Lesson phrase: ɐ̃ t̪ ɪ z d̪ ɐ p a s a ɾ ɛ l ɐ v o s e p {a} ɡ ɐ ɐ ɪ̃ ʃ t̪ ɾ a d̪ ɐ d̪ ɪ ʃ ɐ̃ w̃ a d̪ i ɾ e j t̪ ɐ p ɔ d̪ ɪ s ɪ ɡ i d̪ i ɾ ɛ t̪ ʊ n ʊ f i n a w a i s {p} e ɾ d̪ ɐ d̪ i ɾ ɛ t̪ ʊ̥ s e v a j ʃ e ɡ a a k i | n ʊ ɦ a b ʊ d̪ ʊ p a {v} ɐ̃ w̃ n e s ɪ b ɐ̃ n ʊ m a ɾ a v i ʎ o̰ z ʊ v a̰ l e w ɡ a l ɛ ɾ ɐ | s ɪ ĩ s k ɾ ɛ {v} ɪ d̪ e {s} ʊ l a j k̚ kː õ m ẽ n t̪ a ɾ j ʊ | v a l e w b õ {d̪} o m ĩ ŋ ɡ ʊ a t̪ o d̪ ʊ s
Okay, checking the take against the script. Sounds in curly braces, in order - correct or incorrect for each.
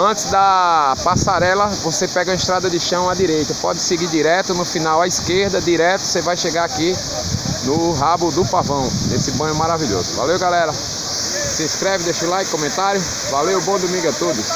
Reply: incorrect: ɛ, incorrect: k, correct, correct, incorrect: ʃ, correct

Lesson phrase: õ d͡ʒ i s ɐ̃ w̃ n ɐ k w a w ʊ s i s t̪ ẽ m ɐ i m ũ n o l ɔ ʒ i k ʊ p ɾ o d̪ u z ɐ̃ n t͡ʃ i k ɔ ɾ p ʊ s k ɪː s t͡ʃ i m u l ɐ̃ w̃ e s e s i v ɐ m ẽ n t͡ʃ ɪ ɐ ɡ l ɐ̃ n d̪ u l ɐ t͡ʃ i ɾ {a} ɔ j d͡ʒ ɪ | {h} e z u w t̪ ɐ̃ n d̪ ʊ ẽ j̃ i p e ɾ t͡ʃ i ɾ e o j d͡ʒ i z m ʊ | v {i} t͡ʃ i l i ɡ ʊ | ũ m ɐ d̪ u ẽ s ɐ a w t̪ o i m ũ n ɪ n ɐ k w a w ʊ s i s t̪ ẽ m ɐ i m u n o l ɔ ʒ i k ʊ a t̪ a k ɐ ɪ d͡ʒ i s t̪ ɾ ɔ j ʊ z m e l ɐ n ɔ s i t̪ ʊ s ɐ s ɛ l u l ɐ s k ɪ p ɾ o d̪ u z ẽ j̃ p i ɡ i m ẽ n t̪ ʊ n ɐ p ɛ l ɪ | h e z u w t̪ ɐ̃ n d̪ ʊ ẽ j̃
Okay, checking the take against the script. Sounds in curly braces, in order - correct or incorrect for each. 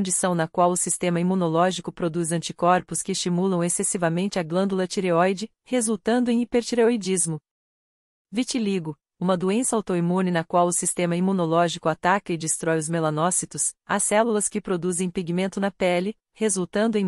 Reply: incorrect: e, correct, correct

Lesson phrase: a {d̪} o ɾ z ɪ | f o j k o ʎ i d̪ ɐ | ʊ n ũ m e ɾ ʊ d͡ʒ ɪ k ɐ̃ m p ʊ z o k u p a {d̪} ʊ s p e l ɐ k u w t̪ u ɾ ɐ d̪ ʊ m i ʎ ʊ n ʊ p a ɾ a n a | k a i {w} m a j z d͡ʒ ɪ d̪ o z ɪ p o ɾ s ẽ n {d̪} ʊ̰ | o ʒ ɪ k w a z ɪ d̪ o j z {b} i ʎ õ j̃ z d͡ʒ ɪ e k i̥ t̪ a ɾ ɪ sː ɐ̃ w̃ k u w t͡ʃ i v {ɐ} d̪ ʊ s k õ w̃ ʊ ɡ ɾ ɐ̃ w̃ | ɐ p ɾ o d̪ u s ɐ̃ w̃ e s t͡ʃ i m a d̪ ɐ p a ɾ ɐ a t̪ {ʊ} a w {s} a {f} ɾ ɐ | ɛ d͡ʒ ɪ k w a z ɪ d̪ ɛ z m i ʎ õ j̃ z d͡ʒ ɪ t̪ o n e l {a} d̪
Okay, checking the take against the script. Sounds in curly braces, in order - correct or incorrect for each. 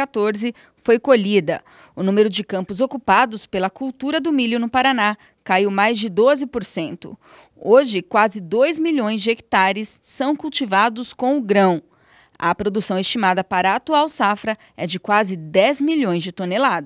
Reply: incorrect: t̪, correct, correct, incorrect: t̪, incorrect: m, incorrect: a, incorrect: u, correct, correct, correct

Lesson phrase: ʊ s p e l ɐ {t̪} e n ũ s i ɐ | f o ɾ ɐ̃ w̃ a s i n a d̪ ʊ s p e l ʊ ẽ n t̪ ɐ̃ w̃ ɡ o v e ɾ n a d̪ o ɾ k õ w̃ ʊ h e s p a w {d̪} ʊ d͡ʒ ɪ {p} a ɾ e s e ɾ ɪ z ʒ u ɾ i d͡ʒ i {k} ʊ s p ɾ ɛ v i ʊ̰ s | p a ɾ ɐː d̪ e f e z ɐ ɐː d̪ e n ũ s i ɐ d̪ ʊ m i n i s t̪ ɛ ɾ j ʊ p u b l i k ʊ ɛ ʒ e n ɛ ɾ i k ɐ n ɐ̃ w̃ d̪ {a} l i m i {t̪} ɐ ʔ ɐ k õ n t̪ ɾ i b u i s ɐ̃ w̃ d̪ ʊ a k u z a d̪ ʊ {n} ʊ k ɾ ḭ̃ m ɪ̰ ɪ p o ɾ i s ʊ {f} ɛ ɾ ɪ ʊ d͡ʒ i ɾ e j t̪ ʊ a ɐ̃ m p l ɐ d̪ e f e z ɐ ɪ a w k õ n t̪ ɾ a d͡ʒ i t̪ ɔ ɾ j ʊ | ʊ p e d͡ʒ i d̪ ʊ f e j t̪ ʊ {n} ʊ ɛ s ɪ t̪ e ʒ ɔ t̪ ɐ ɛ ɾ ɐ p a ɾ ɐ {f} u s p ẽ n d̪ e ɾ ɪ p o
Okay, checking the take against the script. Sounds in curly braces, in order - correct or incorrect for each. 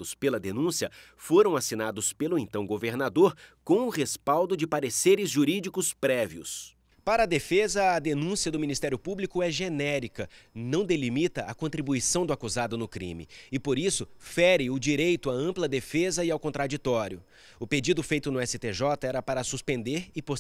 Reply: incorrect: d̪, correct, correct, correct, incorrect: e, correct, correct, correct, correct, incorrect: s

